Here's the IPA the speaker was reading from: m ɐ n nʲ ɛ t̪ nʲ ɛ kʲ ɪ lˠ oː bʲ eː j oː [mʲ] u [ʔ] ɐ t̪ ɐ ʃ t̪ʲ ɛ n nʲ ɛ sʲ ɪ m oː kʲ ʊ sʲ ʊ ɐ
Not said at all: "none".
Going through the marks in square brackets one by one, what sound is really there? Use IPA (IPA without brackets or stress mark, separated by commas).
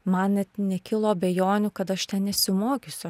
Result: nʲ, k